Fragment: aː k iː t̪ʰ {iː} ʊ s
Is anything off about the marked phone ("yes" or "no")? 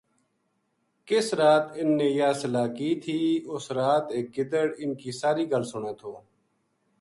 no